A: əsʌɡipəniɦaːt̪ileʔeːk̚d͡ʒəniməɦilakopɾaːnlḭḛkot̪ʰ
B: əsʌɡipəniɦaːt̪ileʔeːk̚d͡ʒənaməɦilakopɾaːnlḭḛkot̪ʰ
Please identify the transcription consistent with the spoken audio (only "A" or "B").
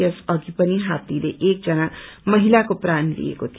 B